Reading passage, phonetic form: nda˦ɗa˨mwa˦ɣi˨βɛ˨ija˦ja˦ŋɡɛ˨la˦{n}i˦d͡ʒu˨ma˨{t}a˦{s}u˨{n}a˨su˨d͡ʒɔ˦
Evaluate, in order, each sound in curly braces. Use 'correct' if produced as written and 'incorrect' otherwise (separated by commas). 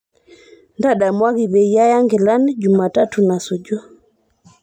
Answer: correct, correct, incorrect, correct